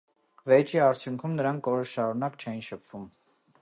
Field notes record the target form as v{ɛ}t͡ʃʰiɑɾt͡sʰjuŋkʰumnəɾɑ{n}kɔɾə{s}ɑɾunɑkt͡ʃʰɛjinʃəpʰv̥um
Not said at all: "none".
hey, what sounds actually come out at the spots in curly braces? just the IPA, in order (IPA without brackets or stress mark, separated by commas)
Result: ɛ, ŋ, ʃ